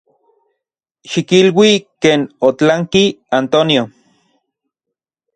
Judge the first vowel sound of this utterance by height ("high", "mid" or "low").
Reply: high